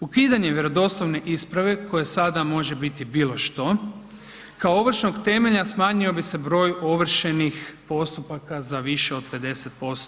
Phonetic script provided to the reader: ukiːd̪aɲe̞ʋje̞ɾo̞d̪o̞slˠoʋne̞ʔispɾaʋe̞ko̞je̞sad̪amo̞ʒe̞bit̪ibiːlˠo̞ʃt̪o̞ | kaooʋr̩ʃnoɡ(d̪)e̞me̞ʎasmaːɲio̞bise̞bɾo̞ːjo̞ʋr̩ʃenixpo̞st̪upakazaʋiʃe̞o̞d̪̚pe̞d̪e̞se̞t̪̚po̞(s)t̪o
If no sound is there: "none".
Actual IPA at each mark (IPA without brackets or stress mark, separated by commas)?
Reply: t̪, s